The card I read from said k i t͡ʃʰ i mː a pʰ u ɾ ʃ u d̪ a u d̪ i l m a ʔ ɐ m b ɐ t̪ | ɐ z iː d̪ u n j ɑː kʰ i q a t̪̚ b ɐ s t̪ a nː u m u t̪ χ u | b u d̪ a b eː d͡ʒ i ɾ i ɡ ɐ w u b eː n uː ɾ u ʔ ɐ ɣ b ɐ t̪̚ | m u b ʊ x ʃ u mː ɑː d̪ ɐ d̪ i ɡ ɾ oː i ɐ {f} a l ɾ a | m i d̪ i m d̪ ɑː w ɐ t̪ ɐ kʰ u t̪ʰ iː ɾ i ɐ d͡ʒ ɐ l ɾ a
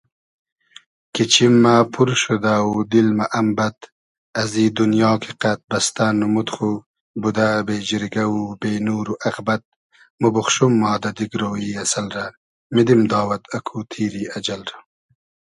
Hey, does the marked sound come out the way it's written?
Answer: no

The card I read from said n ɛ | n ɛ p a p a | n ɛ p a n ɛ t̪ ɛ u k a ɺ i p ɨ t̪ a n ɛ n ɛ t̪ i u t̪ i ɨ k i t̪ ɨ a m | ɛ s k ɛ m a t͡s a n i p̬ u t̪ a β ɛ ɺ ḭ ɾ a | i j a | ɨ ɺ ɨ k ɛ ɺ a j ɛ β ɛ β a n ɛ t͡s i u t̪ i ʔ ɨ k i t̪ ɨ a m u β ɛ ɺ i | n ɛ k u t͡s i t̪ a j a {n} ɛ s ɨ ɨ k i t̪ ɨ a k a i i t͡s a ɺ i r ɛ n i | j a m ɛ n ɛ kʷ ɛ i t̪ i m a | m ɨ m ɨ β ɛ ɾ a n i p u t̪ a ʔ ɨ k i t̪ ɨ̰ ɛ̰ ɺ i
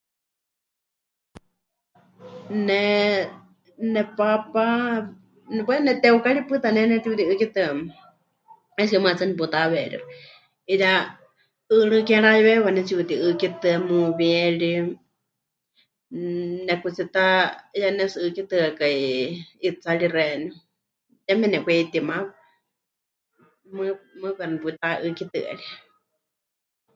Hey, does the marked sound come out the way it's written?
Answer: yes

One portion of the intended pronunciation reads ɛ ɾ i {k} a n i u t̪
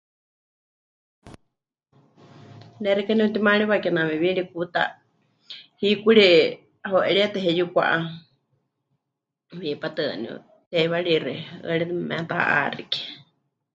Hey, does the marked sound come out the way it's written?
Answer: yes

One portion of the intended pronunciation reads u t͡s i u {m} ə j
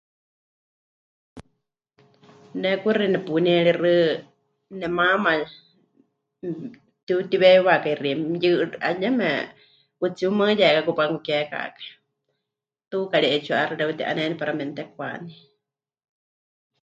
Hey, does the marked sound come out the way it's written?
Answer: yes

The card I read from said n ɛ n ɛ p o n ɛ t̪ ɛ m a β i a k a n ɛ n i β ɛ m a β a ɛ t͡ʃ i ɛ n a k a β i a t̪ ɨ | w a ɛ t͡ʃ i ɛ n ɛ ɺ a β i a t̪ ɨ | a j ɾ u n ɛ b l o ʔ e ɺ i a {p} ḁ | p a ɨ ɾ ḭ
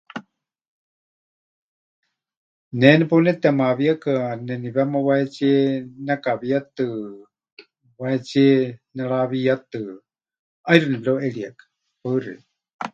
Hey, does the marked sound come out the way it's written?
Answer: no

